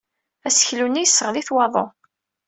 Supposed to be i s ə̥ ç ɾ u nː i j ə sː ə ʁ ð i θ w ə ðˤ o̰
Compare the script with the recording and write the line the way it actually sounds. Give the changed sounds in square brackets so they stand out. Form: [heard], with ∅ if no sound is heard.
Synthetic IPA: [æ] s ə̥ ç [l] u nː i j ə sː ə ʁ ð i θ w [ɑ] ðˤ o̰